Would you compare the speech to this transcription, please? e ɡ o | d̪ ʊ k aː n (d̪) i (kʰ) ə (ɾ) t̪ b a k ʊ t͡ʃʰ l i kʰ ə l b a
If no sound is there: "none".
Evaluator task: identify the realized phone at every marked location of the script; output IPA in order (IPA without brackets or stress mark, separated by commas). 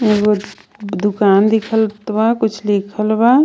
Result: d̪, kʰ, l